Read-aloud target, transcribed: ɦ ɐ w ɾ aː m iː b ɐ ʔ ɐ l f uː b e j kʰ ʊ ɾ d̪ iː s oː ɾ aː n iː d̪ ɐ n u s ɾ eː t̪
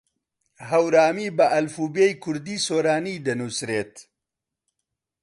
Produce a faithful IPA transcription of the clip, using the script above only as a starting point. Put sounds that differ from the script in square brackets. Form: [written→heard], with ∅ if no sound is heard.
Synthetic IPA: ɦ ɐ w ɾ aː m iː b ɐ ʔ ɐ l f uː b e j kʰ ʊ ɾ d̪ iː s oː ɾ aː n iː d̪ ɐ n u s ɾ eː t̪